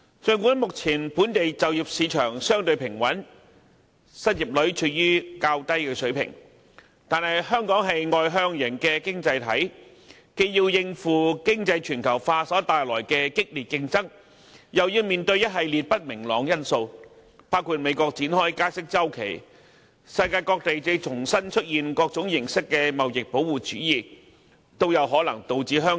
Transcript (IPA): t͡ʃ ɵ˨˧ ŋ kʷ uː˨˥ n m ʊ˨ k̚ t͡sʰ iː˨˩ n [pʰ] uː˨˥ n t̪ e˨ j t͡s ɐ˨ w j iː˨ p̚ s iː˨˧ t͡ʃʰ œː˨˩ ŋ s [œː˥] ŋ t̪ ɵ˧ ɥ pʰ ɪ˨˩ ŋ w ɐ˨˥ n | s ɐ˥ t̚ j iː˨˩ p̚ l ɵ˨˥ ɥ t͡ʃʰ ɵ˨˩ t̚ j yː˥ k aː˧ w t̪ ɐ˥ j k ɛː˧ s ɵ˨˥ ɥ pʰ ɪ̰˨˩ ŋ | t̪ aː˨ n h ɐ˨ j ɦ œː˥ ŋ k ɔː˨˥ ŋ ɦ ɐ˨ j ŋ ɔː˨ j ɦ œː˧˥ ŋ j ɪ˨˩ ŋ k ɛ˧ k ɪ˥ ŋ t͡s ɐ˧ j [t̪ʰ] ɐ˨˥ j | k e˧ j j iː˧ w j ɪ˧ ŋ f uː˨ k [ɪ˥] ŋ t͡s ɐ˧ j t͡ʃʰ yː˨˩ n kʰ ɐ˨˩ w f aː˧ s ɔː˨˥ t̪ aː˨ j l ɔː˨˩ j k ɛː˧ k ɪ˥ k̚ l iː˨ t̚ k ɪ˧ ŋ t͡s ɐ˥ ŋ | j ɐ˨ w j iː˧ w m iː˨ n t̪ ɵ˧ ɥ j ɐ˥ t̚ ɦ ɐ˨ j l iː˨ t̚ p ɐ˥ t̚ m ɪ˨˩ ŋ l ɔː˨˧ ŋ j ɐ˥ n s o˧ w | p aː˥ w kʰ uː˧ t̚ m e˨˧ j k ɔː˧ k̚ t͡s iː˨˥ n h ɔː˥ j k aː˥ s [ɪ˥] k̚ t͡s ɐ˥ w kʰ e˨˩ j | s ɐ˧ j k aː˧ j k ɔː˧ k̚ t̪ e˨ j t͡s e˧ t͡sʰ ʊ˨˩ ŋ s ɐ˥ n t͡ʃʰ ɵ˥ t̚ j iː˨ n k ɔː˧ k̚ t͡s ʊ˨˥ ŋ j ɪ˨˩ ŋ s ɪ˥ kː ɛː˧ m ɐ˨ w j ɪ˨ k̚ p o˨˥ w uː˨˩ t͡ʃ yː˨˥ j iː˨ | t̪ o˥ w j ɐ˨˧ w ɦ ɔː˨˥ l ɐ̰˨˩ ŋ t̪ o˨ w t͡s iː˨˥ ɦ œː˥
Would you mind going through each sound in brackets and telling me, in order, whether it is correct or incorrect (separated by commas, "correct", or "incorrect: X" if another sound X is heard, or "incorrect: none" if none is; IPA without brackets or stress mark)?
incorrect: p, correct, correct, correct, correct